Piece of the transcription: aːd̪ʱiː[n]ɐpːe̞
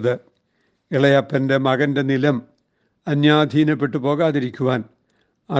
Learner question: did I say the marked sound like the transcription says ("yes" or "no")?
yes